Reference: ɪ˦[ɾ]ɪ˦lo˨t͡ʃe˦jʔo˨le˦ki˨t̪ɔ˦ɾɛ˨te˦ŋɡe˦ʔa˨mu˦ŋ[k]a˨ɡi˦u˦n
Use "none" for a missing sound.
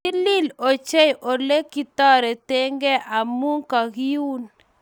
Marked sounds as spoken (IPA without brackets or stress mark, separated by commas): l, k